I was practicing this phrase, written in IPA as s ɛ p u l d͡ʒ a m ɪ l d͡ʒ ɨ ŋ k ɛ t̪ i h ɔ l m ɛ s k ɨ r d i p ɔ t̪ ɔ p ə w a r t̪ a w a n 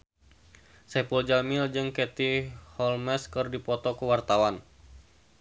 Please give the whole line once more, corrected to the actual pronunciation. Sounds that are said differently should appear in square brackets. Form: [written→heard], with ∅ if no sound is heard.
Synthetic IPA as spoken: s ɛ p u l d͡ʒ a m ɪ l d͡ʒ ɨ ŋ k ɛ t̪ i h ɔ l m ɛ s k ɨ r d i p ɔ t̪ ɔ [p→k] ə w a r t̪ a w a n